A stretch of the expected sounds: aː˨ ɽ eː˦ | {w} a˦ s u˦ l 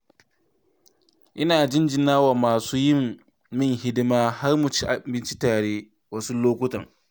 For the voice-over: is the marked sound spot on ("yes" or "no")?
yes